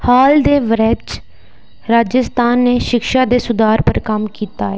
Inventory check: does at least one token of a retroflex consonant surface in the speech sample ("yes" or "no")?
no